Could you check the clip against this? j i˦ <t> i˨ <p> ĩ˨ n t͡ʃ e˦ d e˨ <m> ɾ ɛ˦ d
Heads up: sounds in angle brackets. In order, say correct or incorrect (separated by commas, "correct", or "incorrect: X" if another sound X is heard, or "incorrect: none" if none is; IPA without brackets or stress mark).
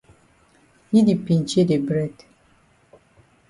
incorrect: d, correct, incorrect: b